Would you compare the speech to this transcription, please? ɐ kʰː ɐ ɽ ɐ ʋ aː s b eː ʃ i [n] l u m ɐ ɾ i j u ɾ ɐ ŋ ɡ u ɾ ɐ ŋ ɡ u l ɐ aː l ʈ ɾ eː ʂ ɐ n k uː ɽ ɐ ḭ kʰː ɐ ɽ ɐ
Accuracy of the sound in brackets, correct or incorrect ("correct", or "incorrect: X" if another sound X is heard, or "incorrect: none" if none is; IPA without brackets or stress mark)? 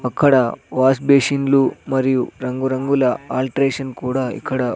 correct